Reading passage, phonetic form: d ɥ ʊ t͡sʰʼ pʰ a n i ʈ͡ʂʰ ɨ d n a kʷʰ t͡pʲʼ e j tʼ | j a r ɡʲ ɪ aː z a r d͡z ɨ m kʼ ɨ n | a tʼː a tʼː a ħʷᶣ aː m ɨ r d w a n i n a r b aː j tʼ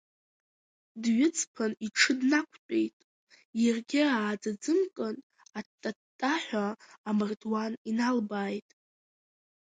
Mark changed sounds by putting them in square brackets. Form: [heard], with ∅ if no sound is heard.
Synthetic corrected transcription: d ɥ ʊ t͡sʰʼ pʰ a n i ʈ͡ʂʰ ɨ d n a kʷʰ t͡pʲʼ e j tʼ | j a r ɡʲ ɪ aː [d͡z] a [∅] d͡z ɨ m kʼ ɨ n | a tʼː a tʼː a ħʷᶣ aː m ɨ r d w a n i n a [l] b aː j tʼ